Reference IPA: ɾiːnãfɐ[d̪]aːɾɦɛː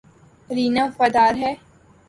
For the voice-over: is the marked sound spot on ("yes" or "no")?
yes